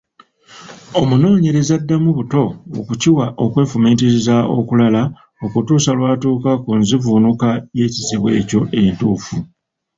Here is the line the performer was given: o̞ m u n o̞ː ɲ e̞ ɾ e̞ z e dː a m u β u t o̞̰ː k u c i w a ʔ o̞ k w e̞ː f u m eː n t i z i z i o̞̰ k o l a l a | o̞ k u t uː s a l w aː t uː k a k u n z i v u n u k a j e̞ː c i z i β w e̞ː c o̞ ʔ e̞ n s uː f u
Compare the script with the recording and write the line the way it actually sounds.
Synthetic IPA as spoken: o̞ m u n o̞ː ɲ e̞ ɾ e̞ z a dː a m u β u t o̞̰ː k u c i w a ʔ o̞ k w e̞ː f u m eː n t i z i z a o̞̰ k u l a l a | o̞ k u t uː s a l w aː t uː k a k u n z i v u n u k a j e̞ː c i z i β w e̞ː c o̞ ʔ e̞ n t uː f u